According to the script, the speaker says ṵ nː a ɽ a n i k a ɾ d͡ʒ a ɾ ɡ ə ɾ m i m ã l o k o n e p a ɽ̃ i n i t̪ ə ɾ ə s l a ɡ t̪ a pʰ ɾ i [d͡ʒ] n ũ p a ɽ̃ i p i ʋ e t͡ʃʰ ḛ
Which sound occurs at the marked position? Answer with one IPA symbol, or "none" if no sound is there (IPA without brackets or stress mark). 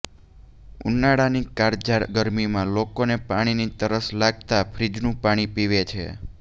d͡ʒ